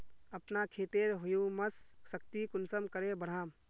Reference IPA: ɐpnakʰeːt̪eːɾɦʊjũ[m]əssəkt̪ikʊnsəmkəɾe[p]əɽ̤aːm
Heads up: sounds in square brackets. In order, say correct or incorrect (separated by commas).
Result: correct, incorrect